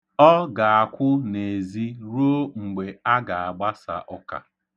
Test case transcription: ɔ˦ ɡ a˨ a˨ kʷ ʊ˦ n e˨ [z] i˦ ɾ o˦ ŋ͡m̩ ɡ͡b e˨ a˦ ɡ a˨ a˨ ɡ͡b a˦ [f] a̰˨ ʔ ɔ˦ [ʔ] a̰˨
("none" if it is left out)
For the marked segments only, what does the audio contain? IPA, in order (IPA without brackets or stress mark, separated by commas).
z, s, k